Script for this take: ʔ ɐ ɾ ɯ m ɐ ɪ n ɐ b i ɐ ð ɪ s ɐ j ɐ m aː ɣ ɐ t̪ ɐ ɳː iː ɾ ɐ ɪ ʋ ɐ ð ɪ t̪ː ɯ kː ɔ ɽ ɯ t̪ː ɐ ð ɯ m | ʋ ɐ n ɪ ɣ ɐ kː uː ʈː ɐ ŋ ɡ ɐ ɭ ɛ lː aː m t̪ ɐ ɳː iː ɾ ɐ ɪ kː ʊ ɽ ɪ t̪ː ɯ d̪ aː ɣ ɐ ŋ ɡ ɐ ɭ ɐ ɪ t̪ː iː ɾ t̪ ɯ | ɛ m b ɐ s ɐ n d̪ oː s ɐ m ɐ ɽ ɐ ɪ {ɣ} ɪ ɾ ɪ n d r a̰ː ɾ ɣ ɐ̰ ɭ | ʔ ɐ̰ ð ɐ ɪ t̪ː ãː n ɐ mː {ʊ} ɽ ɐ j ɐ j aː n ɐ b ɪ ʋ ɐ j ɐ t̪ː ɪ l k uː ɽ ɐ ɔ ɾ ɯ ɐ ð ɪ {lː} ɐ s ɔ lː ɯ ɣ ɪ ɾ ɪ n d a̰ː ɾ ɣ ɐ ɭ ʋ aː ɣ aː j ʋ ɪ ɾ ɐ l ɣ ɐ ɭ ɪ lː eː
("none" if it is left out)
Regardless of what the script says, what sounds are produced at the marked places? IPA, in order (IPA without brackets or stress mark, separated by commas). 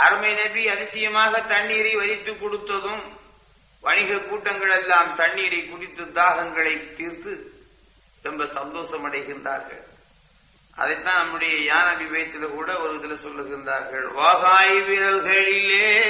ɣ, ɯ, l